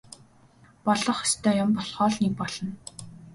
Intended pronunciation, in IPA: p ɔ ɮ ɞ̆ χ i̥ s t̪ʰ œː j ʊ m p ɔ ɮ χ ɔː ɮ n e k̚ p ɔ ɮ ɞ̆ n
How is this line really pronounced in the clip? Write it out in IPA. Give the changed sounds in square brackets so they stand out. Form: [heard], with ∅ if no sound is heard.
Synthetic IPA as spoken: p ɔ ɮ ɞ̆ χ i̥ s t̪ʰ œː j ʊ m p ɔ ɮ χ ɔː ɮ n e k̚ p ɔ ɮ ɞ̆ n